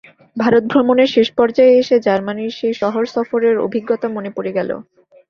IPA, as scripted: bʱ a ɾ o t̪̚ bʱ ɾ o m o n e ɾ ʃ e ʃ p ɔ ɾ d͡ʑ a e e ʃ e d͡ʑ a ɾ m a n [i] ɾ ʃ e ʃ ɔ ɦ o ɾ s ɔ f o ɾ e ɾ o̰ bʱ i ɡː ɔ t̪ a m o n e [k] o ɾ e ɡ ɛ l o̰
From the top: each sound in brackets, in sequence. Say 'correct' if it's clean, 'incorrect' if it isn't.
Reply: correct, incorrect

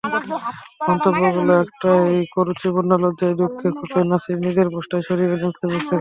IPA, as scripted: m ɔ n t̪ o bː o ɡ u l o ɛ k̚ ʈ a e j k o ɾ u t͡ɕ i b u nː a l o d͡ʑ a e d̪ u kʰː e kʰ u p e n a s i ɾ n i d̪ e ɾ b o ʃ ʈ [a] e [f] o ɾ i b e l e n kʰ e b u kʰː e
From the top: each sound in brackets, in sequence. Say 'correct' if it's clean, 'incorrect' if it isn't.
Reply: correct, incorrect

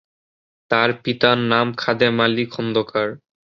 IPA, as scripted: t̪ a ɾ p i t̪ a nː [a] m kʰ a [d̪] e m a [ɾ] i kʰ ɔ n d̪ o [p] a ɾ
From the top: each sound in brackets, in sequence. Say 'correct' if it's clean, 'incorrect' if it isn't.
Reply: correct, correct, incorrect, incorrect

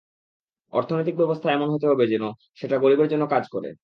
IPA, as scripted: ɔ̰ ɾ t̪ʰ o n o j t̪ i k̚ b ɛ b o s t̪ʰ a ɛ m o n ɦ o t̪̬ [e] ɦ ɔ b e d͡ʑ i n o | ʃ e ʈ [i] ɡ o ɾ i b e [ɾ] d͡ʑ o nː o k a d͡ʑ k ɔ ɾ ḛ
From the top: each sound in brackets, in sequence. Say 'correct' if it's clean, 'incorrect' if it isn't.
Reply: correct, incorrect, correct

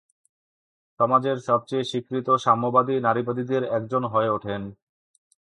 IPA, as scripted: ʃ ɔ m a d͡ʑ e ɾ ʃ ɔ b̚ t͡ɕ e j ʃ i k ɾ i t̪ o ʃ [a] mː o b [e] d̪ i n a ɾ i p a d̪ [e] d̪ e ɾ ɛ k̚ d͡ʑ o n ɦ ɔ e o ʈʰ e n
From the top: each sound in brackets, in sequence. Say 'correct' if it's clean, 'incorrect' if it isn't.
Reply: correct, incorrect, incorrect

